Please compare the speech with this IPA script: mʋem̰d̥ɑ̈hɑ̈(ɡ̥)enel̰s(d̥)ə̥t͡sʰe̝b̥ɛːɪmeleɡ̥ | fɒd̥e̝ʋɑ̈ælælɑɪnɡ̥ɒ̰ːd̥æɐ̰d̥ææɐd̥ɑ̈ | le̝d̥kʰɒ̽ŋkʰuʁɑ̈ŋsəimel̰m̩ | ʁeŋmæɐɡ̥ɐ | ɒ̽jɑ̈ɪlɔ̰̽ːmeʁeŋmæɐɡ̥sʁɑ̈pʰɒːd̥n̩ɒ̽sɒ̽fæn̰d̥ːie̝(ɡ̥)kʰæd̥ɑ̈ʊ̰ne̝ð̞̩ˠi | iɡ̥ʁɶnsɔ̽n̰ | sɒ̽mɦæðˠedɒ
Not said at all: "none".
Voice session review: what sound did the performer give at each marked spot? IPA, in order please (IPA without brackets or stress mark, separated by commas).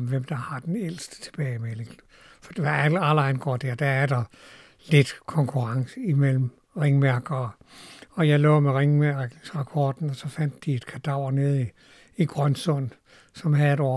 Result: d̥, d̥, d̥